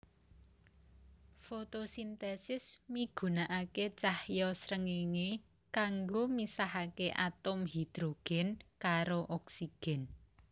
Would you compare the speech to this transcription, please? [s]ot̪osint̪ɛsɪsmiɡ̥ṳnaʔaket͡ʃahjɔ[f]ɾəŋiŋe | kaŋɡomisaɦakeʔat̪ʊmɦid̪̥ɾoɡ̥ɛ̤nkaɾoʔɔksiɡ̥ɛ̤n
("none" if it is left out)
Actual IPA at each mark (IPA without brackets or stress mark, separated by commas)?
f, s